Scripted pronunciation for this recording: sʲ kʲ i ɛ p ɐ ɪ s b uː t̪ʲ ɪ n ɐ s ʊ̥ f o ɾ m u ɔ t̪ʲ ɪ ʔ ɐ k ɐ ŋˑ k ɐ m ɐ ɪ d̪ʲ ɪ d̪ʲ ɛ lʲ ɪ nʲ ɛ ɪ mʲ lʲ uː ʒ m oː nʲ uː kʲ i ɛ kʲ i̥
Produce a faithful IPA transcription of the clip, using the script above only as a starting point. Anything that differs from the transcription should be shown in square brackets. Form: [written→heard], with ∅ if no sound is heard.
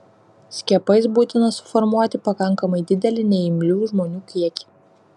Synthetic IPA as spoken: sʲ kʲ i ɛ p ɐ ɪ s b uː t̪ʲ ɪ n ɐ s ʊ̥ f [o→ɔ] ɾ m u ɔ t̪ʲ ɪ [ʔ→p] ɐ k ɐ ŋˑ k ɐ m ɐ ɪ d̪ʲ ɪ d̪ʲ ɛ lʲ ɪ nʲ ɛ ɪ mʲ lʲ uː ʒ m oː nʲ uː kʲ i ɛ kʲ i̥